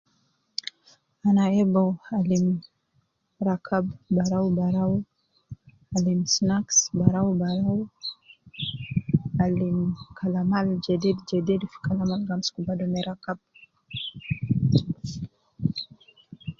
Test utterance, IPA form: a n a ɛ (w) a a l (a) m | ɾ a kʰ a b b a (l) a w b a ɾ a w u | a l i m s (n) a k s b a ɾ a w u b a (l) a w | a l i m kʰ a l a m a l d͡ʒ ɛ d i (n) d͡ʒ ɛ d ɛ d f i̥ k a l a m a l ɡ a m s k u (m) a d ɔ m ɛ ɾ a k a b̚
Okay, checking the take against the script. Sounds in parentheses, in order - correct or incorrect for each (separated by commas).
incorrect, incorrect, incorrect, correct, incorrect, incorrect, incorrect